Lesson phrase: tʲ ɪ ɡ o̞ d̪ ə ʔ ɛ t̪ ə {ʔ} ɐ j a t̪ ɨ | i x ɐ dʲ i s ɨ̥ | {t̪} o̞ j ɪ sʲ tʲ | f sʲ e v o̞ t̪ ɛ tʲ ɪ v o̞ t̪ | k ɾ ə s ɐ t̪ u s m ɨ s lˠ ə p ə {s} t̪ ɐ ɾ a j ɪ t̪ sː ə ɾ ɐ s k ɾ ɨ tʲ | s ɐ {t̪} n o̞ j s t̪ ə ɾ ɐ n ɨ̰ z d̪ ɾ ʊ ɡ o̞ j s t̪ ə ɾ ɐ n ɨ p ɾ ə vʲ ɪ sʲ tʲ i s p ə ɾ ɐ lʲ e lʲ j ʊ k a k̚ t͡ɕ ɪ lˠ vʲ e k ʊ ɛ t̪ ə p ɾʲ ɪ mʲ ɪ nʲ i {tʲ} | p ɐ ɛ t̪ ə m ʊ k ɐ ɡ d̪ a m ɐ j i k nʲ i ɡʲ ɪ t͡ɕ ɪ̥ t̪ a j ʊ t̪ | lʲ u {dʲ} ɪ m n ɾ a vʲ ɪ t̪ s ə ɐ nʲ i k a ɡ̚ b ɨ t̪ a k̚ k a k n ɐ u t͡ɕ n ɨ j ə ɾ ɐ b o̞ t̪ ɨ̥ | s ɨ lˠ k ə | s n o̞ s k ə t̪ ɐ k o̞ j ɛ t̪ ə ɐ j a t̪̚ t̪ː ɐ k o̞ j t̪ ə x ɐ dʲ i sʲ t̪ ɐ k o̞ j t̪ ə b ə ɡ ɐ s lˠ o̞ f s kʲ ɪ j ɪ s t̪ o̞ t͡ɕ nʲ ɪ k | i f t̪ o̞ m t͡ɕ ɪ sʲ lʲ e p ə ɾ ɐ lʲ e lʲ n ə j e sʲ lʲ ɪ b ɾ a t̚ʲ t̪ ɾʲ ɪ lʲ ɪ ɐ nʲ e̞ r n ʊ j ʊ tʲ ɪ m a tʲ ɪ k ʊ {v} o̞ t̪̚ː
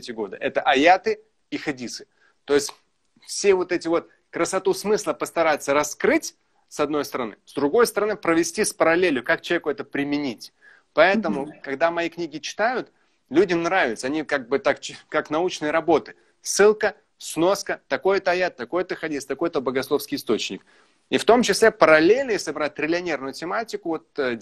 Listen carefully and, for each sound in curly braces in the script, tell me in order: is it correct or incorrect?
correct, correct, correct, incorrect: d̪, correct, correct, correct

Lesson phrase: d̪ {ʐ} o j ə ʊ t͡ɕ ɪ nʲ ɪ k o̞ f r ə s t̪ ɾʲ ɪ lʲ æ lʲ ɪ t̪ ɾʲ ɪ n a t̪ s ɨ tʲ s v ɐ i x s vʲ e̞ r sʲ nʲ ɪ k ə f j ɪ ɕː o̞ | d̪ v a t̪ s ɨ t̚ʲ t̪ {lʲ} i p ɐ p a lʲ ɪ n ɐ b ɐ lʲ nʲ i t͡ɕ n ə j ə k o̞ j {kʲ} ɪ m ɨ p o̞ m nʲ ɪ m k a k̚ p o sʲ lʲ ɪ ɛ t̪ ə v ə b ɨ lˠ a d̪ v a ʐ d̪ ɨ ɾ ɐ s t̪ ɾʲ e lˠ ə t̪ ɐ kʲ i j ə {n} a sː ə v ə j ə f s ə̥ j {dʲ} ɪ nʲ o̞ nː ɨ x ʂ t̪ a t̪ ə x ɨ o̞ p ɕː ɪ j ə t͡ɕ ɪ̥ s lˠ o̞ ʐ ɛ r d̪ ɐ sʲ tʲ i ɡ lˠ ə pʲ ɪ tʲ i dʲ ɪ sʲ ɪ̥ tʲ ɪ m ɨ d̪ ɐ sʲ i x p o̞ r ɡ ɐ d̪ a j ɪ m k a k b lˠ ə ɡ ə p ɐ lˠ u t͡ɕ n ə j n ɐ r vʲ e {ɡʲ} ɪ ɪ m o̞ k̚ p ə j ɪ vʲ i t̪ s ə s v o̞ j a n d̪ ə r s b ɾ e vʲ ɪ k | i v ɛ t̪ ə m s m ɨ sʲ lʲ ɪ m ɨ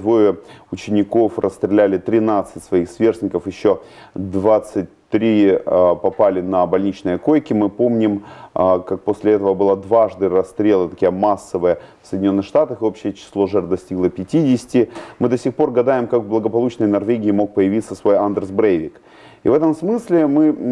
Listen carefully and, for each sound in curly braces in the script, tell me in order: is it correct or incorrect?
incorrect: v, incorrect: ɾʲ, correct, incorrect: m, correct, correct

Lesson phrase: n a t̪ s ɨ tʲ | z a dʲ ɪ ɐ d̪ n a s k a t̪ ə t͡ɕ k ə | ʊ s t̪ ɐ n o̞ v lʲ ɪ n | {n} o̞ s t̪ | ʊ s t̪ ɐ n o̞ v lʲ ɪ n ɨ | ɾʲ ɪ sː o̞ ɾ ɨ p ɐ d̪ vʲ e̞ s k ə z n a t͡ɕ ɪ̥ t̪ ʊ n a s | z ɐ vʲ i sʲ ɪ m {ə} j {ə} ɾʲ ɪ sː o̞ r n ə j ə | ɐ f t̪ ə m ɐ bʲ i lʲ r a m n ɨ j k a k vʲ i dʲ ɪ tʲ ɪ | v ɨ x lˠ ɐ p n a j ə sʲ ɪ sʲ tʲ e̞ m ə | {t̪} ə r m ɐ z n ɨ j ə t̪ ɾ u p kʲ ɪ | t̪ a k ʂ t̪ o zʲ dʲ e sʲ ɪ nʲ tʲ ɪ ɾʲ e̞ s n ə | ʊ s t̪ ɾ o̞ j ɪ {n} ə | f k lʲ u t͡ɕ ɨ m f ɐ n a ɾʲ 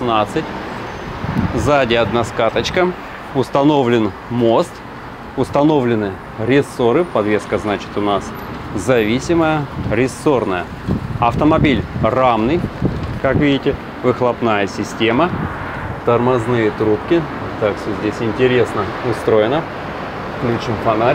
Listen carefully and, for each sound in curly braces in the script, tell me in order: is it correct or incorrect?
incorrect: m, correct, correct, correct, correct

